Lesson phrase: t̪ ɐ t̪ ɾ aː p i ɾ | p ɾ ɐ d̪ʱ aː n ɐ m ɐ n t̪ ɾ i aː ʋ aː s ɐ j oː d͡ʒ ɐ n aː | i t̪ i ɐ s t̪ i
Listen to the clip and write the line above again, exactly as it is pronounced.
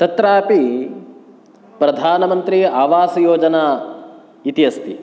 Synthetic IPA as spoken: t̪ ɐ t̪ ɾ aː p i | p ɾ ɐ d̪ʱ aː n ɐ m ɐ n t̪ ɾ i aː ʋ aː s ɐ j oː d͡ʒ ɐ n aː | i t̪ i ɐ s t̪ i